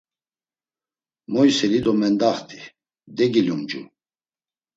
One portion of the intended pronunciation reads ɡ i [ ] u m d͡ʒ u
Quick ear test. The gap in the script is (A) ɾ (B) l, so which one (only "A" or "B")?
B